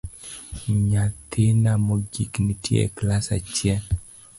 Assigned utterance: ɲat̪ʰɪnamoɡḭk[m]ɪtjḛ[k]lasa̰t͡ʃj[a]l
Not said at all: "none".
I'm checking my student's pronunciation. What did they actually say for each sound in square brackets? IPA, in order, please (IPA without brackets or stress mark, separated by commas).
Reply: n, k, ɛ